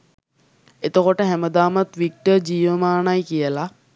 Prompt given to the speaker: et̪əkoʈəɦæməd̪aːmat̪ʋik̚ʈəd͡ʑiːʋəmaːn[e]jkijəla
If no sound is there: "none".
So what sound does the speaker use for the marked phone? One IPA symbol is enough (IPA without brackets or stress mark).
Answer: a